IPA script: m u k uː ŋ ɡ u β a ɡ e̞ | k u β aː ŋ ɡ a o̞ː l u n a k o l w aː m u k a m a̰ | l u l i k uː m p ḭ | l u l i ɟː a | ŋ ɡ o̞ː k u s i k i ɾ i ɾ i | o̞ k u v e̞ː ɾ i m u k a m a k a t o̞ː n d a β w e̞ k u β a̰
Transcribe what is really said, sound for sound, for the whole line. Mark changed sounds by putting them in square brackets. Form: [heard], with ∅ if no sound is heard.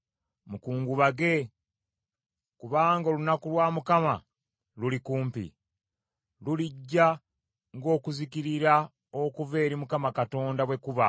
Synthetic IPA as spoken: m u k uː ŋ ɡ u β a ɡ e̞ | k u β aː ŋ ɡ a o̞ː l u n a k [u] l w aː m u k a m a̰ | l u l i k uː m p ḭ | l u l i ɟː a | ŋ ɡ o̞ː k u [z] i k i ɾ i ɾ [a] | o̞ k u v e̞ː ɾ i m u k a m a k a t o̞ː n d a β w e̞ k u β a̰